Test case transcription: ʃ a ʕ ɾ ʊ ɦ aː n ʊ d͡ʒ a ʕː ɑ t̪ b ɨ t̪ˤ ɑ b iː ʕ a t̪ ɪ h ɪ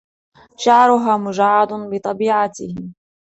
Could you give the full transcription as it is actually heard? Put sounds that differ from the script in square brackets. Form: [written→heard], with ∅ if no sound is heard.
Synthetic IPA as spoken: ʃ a ʕ ɾ ʊ ɦ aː [n→m] ʊ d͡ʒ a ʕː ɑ [t̪→d̪] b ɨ t̪ˤ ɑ b iː ʕ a t̪ ɪ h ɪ